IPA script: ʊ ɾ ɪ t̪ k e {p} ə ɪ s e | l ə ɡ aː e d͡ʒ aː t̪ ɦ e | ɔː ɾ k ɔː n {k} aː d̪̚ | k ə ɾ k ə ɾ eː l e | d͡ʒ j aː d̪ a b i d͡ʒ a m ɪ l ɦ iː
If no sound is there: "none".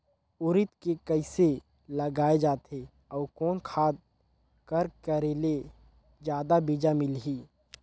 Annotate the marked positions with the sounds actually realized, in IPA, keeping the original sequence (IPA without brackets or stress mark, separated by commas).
k, kʰ